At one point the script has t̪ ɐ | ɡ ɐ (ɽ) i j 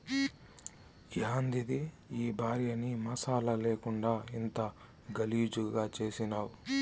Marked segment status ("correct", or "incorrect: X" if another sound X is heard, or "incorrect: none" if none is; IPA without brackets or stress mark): incorrect: l